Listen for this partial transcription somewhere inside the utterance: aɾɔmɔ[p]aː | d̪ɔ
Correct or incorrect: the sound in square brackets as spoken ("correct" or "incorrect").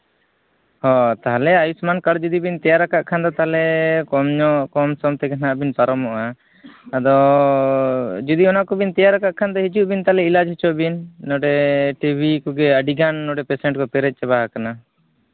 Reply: incorrect